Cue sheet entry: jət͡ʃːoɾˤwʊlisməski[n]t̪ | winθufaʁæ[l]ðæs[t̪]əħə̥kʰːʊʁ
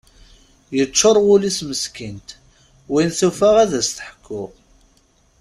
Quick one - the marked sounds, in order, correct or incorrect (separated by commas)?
correct, incorrect, correct